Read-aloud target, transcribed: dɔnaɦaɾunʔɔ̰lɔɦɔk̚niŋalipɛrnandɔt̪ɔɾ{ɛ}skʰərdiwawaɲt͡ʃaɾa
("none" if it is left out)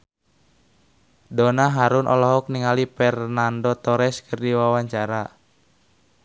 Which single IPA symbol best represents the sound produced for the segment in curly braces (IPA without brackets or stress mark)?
ɛ